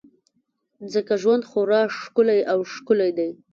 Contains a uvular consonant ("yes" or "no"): no